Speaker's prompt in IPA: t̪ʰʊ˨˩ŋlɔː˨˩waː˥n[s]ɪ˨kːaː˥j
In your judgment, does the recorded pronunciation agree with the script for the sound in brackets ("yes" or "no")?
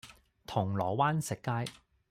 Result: yes